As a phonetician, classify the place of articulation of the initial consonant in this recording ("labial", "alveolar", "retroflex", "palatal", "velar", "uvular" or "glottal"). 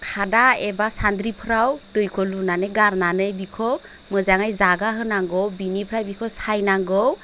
velar